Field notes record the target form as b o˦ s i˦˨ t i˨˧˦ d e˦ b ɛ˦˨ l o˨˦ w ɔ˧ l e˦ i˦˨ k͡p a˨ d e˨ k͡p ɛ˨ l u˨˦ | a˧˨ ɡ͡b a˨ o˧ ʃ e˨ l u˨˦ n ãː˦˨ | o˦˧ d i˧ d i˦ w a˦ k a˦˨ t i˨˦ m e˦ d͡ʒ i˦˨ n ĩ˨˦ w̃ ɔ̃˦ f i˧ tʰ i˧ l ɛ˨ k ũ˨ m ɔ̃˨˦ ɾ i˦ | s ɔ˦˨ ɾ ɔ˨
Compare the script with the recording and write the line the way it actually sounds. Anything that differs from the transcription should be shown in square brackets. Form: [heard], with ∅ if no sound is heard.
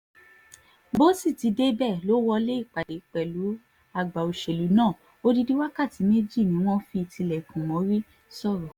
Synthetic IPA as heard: b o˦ s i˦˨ t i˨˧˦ d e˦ b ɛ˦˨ l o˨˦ w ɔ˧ l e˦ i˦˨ k͡p a˨ d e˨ k͡p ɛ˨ l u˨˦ | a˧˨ ɡ͡b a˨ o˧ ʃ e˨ l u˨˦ n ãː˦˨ | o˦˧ d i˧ d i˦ w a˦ k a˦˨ t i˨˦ m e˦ d͡ʒ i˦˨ n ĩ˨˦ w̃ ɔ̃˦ f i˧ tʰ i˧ l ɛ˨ k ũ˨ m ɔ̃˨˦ ɾ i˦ | s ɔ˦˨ ɾ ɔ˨